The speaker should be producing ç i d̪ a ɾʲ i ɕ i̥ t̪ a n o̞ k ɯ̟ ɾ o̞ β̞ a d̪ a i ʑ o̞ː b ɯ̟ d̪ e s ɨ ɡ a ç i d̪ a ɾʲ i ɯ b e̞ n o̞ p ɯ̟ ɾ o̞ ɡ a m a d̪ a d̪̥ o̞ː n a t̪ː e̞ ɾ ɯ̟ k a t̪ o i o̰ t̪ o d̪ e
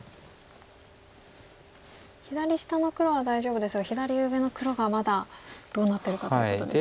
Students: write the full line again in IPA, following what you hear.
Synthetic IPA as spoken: ç i d̪ a ɾʲ i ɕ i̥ t̪ a n o̞ k ɯ̟ ɾ o̞ β̞ a d̪ a i ʑ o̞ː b ɯ̟ d̪ e s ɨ ɡ a ç i d̪ a ɾʲ i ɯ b e̞ n o̞ k ɯ̟ ɾ o̞ ɡ a m a d̪ a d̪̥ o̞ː n a t̪ː e̞ ɾ ɯ̟ k a t̪ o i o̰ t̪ o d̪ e